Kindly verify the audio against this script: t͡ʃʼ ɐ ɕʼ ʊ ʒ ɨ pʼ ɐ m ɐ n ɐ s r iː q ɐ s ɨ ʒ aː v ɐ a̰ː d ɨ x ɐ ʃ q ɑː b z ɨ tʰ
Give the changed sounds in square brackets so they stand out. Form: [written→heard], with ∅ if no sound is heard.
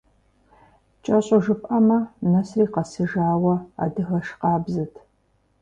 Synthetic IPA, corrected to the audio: t͡ʃʼ ɐ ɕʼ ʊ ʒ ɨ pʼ ɐ m ɐ n ɐ s r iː q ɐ s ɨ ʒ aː [v→w] ɐ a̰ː d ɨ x ɐ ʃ q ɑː b z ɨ tʰ